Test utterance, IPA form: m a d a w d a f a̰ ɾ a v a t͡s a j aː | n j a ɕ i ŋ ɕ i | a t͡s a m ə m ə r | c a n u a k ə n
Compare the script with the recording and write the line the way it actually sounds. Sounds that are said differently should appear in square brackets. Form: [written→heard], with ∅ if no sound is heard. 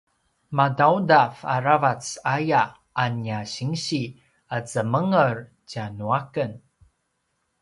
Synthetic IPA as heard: m a d a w d a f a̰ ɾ a v a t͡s a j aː | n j a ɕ i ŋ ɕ i | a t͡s [a→ə] m ə [m→ŋ] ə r | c a n u a k ə n